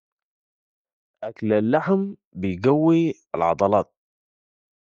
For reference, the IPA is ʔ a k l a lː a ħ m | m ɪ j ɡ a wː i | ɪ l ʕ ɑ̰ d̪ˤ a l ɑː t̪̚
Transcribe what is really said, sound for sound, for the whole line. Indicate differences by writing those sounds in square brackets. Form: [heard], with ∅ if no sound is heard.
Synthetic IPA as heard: ʔ a k l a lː a ħ m | [b] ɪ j ɡ a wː i | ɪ l ʕ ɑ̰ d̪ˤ [ɑ] l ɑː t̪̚

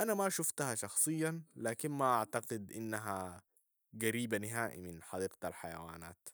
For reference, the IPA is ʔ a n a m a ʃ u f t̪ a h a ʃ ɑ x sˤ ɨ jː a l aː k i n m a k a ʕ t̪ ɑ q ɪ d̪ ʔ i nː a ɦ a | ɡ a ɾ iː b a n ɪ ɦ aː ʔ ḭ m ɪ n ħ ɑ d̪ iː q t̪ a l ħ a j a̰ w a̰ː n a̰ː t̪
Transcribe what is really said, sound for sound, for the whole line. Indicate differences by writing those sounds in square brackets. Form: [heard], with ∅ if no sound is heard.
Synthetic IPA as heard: ʔ a n a m a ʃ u f t̪ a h a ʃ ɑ x sˤ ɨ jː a l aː k i n m a [ʔ] a ʕ t̪ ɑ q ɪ d̪ ʔ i nː a ɦ a | ɡ a ɾ iː b a n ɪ ɦ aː ʔ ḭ m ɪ n ħ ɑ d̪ iː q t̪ a l ħ a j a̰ w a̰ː n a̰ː t̪

